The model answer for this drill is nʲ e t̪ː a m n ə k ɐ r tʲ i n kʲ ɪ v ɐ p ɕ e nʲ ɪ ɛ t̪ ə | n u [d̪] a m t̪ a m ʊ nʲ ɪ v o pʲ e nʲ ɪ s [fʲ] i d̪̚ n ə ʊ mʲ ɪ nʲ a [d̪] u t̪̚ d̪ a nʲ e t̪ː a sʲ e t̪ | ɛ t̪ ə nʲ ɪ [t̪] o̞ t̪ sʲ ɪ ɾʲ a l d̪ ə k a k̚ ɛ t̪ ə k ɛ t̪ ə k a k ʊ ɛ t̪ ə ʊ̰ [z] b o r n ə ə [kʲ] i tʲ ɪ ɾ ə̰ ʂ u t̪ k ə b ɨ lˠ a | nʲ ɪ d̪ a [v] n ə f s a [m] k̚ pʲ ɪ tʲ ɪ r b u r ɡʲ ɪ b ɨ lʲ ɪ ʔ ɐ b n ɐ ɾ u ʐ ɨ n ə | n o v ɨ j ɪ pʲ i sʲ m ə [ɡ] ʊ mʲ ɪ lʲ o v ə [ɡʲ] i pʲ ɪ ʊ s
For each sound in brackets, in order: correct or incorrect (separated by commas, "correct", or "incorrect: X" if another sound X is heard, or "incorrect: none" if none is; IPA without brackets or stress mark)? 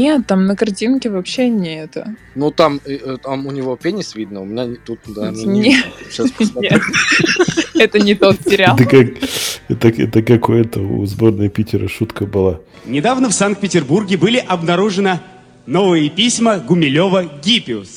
incorrect: t̪, incorrect: vʲ, incorrect: t̪, correct, correct, incorrect: pʲ, correct, incorrect: n, correct, correct